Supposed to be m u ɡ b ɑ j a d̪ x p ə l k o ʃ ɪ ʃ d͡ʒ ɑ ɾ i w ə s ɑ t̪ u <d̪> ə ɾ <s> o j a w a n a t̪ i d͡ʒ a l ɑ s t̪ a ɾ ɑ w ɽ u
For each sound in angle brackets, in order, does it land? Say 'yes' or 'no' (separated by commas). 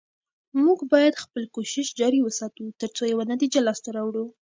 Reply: no, no